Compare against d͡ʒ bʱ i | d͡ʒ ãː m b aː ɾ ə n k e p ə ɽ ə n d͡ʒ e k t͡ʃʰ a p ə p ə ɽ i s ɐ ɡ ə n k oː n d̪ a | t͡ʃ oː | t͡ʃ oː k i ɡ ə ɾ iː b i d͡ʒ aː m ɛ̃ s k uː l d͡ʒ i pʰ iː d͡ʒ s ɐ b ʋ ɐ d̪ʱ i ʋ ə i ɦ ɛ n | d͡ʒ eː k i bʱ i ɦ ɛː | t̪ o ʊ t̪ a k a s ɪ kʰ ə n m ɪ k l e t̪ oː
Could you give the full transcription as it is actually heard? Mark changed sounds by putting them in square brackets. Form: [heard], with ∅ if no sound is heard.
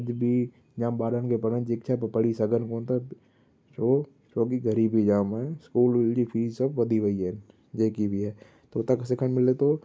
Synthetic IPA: d͡ʒ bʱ i | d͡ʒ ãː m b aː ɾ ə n k e p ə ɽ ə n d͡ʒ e k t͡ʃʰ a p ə p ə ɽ i s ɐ ɡ ə n k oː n [t̪] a | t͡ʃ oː | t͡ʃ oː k i ɡ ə ɾ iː b i d͡ʒ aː m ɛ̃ s k uː l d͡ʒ i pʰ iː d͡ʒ s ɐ b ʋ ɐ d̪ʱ i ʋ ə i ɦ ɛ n | d͡ʒ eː k i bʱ i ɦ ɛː | t̪ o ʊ t̪ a k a s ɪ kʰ ə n m ɪ [∅] l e t̪ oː

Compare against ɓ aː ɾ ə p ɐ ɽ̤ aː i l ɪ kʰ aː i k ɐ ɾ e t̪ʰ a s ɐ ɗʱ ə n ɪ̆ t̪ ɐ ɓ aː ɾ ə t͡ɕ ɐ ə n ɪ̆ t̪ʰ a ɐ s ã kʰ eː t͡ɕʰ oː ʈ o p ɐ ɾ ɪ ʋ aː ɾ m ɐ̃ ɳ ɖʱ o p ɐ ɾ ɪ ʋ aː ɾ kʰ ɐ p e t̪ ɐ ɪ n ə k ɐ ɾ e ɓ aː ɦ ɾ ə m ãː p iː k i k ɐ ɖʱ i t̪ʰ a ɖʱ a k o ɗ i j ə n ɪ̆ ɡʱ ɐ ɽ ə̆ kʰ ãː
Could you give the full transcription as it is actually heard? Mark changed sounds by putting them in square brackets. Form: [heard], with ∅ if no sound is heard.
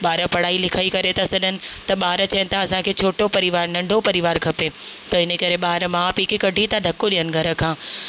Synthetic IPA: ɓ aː ɾ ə p ɐ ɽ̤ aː i l ɪ kʰ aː i k ɐ ɾ e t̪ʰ a s ɐ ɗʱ ə n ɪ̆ t̪ ɐ ɓ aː ɾ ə t͡ɕ ɐ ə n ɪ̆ t̪ʰ a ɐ s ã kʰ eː t͡ɕʰ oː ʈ o p ɐ ɾ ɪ ʋ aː ɾ [n] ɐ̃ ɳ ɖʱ o p ɐ ɾ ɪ ʋ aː ɾ kʰ ɐ p e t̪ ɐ ɪ n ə k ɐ ɾ e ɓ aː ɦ ɾ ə m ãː p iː k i k ɐ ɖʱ i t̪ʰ a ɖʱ [ɐ] k o ɗ i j ə n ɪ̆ ɡʱ ɐ [ɾ] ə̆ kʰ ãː

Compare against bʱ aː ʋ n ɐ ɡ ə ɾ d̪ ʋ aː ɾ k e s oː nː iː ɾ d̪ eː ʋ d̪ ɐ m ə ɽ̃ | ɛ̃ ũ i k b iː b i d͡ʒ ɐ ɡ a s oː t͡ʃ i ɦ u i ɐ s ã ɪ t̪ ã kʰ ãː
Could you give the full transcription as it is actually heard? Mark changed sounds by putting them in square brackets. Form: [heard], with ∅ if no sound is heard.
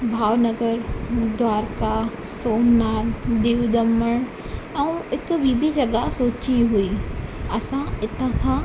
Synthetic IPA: bʱ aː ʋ n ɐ ɡ ə ɾ d̪ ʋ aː ɾ k [a] s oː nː [aː] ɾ d̪ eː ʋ d̪ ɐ m ə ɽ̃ | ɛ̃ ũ [ɪ] k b iː b i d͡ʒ ɐ ɡ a s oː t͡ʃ i ɦ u i ɐ s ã ɪ t̪ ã kʰ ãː

